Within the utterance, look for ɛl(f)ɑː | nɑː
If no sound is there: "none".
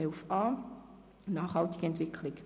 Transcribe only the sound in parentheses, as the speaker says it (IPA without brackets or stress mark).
f